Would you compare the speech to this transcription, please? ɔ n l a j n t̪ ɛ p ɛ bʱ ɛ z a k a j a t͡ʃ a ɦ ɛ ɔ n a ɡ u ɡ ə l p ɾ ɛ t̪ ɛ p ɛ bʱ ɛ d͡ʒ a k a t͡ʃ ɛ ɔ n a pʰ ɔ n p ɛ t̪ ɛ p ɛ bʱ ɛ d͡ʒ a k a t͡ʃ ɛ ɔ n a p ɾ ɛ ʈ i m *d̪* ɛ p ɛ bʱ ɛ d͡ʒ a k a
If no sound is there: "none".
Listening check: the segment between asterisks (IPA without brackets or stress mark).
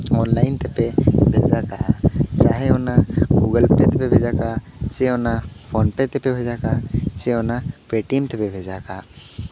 t̪